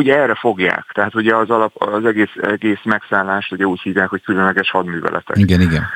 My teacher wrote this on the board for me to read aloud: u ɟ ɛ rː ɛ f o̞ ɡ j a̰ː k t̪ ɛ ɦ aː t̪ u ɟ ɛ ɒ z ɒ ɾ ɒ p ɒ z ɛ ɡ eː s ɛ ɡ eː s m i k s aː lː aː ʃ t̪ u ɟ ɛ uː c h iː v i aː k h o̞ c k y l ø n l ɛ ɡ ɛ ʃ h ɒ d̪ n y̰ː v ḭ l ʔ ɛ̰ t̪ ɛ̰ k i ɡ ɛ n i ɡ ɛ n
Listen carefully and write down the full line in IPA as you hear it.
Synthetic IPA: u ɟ ɛ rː ɛ f o̞ ɡ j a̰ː k t̪ ɛ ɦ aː t̪ u ɟ ɛ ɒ z ɒ l ɒ p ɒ z ɛ ɡ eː s ɛ ɡ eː s m ɛ k s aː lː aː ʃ t̪ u ɟ ɛ uː c h iː v j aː k h o̞ c k y l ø n l ɛ ɡ ɛ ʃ h ɒ d̪ m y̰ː v ɛ̰ l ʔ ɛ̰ t̪ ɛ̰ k i ɡ ɛ n i ɡ ɛ n